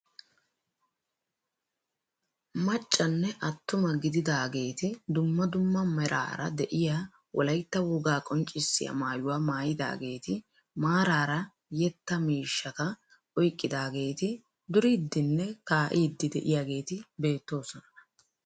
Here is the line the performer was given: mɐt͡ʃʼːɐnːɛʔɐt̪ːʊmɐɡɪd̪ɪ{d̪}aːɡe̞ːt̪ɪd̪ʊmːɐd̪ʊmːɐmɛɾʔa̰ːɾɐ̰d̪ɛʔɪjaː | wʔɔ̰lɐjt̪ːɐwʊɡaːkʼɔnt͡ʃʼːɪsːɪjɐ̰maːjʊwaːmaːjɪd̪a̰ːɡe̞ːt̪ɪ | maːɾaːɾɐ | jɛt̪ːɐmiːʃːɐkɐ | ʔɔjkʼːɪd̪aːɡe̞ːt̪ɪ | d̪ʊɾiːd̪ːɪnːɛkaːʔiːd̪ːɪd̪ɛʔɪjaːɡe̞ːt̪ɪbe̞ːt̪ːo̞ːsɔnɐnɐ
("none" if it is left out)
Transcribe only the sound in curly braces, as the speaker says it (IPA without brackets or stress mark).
d̪